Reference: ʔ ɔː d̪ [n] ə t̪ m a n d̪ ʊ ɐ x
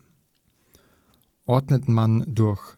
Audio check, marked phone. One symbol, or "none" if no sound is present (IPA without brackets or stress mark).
n